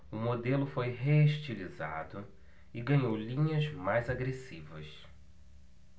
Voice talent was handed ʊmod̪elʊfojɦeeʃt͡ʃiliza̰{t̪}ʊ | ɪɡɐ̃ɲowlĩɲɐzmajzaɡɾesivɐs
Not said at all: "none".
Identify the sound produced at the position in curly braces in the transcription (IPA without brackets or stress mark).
d̪